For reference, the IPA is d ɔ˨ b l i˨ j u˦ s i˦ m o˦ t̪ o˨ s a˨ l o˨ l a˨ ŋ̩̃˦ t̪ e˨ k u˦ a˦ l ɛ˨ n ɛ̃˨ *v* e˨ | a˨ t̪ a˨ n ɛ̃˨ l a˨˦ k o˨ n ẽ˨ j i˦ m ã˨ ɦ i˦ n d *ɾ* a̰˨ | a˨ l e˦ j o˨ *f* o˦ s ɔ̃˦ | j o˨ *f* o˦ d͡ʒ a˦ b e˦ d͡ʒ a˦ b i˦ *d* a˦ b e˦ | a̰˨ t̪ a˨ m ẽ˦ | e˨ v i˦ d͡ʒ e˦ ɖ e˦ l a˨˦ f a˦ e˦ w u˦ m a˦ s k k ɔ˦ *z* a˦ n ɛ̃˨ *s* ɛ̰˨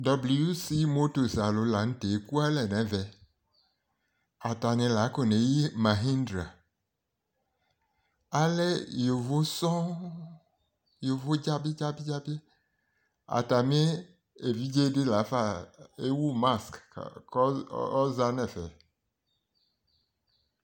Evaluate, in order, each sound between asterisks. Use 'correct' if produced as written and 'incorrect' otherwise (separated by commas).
correct, correct, incorrect, incorrect, incorrect, correct, incorrect